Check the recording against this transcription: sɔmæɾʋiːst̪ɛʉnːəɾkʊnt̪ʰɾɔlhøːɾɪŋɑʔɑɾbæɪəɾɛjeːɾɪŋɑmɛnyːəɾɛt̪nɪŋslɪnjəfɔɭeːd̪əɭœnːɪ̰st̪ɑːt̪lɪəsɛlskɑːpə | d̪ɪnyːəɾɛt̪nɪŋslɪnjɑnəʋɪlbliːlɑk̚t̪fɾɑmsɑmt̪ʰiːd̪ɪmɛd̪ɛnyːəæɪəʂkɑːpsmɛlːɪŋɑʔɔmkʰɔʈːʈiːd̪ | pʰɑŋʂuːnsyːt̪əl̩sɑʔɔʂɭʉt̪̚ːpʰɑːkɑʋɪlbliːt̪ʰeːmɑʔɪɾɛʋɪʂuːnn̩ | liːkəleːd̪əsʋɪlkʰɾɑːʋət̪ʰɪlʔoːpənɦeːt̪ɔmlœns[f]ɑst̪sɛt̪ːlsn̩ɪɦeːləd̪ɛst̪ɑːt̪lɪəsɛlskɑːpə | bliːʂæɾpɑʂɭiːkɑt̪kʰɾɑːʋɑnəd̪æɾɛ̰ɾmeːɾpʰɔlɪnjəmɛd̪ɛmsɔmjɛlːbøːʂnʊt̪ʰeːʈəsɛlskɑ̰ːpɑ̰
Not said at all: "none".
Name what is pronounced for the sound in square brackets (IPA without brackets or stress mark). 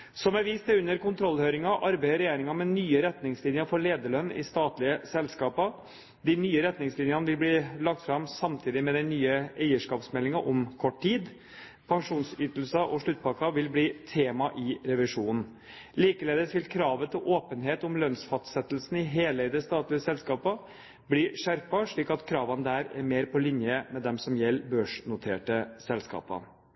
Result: f